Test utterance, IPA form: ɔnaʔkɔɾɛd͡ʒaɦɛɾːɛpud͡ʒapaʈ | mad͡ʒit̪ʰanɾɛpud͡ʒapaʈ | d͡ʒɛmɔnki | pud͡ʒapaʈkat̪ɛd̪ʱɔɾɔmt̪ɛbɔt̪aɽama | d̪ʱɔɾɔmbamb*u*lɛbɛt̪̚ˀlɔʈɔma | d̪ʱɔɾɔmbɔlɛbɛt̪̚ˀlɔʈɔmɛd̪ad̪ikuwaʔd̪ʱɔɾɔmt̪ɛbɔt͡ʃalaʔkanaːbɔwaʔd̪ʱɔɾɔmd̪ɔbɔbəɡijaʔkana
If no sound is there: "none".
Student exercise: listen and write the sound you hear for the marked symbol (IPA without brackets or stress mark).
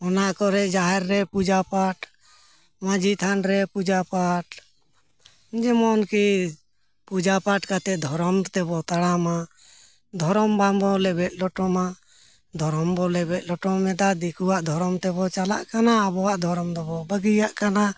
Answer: ɔ